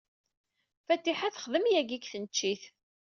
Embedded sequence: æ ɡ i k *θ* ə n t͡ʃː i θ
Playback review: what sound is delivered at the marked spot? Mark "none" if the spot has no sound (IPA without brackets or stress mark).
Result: θ